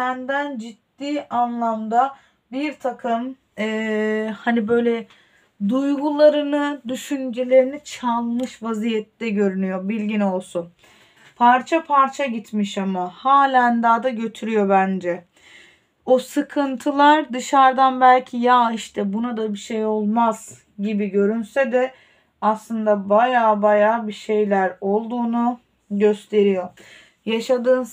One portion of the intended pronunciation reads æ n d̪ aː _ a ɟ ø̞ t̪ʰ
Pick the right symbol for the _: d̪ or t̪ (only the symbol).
d̪